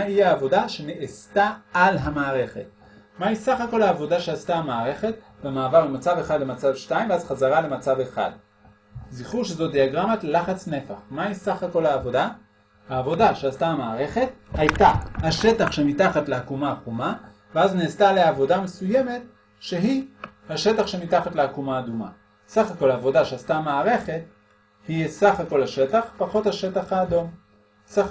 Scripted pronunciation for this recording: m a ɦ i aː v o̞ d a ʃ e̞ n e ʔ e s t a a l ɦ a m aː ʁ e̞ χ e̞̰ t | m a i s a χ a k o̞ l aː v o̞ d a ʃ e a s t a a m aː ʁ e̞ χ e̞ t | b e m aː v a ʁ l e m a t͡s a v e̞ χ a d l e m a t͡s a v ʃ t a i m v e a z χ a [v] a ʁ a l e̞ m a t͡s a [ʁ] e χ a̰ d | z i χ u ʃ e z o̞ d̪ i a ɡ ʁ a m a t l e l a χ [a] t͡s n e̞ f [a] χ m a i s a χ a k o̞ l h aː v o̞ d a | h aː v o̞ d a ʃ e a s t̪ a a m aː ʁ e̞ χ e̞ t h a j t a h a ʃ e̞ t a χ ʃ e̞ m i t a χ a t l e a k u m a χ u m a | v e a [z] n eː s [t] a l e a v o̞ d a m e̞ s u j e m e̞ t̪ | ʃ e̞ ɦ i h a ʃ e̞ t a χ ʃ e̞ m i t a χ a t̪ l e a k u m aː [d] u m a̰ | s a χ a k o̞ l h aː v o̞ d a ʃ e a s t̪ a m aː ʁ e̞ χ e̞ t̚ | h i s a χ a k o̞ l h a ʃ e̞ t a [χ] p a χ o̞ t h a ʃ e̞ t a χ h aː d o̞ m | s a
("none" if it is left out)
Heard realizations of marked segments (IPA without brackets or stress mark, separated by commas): z, v, a, a, z, t, d, χ